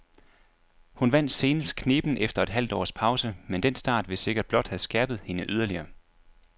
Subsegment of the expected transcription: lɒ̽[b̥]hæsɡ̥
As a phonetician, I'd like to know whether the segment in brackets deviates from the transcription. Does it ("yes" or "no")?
yes